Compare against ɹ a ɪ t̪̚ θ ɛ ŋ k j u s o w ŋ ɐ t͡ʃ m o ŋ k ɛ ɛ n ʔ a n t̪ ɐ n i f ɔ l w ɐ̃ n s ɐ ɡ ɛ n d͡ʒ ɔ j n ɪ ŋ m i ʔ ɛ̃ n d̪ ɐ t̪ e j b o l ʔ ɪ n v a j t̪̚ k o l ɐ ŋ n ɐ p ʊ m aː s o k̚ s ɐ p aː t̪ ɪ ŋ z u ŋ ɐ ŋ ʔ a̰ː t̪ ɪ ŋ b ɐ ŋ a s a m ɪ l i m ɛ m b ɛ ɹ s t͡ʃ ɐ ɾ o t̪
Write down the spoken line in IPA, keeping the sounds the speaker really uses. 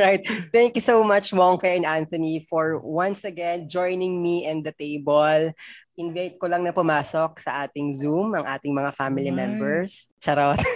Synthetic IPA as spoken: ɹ a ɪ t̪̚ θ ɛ ŋ k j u s o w m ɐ t͡ʃ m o ŋ k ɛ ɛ n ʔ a n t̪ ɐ n i f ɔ ɹ w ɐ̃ n s ɐ ɡ ɛ n d͡ʒ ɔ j n ɪ ŋ m i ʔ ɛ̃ n d̪ ɐ t̪ e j b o l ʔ ɪ n v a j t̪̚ k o l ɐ ŋ n ɐ p ʊ m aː s o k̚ s ɐ ʔ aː t̪ ɪ ŋ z u m ɐ ŋ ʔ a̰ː t̪ ɪ ŋ m ɐ ŋ a f a m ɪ l i m ɛ m b ɛ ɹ s t͡ʃ ɐ ɾ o t̪